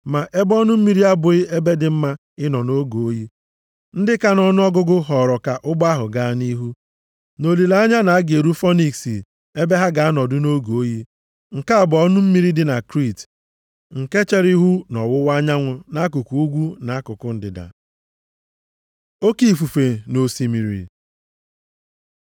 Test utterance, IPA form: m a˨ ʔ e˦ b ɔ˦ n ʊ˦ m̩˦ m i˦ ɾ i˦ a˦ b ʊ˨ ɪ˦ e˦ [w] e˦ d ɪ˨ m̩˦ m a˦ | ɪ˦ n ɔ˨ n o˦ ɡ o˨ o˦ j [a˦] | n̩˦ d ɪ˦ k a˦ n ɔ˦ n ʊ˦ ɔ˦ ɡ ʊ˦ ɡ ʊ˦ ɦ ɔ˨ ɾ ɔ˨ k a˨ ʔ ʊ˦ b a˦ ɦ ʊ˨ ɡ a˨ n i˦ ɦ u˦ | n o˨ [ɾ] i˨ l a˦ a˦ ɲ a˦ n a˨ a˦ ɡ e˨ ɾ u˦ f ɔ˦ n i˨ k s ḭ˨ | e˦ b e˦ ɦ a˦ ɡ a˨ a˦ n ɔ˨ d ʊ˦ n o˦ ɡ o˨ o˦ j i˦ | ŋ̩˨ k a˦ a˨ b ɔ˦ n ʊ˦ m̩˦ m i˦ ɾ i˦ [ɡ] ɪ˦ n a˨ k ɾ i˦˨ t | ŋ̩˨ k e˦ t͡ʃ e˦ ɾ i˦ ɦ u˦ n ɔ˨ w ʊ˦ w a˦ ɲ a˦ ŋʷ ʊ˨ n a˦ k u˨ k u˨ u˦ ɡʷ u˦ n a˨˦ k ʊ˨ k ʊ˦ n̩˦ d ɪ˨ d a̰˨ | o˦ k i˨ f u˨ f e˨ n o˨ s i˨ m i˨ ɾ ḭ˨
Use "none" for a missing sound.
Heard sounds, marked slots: b, i˦, l, d

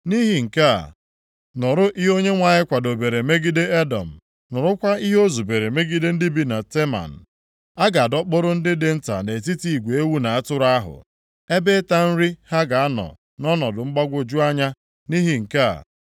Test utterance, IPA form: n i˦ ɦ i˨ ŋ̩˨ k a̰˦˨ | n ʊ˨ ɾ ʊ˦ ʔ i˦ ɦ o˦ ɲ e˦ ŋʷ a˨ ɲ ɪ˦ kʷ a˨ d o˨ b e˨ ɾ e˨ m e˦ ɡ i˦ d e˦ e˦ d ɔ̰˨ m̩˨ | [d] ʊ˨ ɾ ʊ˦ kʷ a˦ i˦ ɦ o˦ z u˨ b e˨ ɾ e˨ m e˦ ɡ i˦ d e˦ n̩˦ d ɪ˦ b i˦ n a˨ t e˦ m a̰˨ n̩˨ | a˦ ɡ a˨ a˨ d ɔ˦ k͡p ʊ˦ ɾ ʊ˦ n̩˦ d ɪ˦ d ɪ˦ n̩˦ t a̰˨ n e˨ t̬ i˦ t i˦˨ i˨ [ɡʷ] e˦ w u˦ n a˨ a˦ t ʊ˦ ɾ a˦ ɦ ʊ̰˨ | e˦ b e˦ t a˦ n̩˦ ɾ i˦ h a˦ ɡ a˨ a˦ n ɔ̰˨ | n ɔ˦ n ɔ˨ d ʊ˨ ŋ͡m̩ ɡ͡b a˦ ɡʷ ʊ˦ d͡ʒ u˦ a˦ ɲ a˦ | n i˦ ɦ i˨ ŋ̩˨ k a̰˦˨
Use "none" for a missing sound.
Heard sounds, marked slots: n, ɡʷ

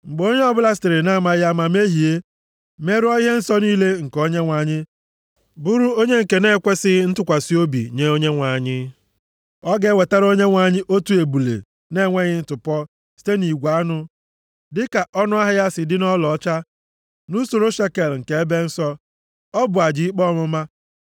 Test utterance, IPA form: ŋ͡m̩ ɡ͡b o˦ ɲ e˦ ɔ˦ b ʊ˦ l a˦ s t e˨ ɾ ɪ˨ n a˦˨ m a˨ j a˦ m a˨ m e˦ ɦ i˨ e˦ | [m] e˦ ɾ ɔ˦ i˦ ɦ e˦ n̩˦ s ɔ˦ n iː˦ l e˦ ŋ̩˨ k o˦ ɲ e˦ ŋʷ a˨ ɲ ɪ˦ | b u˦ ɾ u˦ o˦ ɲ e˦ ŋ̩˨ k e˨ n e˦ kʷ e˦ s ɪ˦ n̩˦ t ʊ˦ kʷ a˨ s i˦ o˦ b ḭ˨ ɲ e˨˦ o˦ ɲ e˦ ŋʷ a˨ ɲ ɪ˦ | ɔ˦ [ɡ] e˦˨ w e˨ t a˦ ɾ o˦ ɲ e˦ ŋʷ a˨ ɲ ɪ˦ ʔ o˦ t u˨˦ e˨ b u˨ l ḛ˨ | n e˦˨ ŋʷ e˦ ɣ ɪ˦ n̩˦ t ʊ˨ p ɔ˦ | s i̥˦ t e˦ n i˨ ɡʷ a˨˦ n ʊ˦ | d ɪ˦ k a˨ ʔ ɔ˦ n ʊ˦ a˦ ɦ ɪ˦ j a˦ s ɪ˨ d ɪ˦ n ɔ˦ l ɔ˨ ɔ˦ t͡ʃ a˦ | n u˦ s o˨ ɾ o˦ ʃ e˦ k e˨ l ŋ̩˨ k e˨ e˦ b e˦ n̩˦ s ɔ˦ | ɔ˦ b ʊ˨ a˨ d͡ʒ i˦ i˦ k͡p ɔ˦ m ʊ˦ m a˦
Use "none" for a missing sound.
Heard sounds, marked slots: m, ɡ

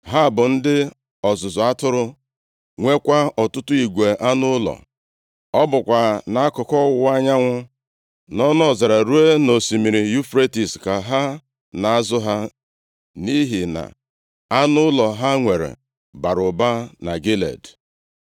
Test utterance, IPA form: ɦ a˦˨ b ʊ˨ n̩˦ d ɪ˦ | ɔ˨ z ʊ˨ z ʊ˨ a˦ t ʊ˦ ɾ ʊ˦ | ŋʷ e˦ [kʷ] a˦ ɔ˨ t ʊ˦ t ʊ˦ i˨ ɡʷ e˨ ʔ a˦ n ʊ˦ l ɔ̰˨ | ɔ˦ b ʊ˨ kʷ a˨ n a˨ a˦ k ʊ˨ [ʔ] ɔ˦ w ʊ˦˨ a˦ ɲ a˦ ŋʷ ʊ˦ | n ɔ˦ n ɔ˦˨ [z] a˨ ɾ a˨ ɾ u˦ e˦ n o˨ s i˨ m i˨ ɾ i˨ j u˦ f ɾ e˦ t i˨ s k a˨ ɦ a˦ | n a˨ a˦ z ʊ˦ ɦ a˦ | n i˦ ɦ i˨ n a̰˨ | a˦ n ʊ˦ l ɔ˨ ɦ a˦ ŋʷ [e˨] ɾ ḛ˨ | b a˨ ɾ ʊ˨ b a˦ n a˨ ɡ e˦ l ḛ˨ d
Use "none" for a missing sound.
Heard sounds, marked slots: kʷ, k, z, e˨

